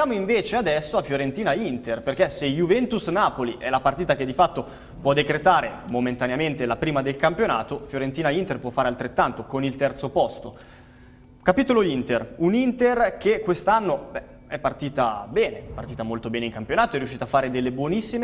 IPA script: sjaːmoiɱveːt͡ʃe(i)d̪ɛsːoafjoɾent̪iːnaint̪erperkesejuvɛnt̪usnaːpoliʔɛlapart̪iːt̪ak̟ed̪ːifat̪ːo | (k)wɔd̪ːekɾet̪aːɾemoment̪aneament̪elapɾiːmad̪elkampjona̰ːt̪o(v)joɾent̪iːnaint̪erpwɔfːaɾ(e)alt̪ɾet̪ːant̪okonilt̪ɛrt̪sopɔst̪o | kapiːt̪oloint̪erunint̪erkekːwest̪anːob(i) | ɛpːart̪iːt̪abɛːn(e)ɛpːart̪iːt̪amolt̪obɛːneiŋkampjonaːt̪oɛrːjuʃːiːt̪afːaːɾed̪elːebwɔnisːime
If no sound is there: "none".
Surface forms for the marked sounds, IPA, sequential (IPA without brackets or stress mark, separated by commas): a, p, f, e, ɛ, e